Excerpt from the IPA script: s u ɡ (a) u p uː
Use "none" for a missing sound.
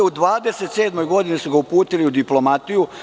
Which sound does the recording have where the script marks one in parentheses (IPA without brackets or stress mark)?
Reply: a